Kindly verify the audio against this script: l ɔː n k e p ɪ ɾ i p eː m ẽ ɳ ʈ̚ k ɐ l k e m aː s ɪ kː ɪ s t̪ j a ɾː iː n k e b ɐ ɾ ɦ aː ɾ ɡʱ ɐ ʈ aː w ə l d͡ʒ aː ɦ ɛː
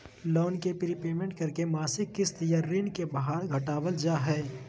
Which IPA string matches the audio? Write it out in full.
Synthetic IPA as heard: l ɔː n k e p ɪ ɾ i p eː m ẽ ɳ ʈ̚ k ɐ ɾ k e m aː s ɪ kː ɪ s t̪ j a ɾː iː n k e b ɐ ɦ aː ɾ ɡʱ ɐ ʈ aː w ə l d͡ʒ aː ɦ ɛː